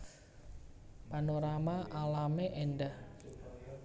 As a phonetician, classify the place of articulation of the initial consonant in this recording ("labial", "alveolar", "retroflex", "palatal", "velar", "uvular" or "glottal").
labial